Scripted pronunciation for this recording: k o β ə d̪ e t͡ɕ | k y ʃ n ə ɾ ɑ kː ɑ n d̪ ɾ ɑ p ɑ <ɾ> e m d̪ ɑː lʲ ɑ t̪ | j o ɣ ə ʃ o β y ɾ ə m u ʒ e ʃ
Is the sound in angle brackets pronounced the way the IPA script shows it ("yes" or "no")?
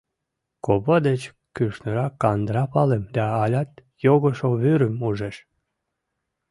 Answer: no